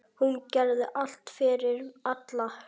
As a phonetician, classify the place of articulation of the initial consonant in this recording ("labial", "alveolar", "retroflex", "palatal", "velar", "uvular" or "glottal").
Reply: glottal